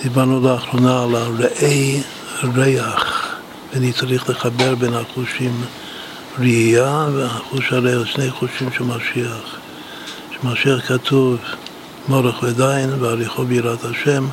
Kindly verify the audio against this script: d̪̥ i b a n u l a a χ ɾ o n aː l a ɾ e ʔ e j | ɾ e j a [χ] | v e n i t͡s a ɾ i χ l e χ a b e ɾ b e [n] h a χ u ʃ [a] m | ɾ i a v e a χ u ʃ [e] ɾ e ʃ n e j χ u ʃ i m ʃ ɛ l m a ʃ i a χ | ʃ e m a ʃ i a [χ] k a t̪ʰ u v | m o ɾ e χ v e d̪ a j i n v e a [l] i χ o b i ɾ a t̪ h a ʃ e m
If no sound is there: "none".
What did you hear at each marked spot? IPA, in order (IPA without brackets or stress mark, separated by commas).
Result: χ, n, i, a, χ, ɾ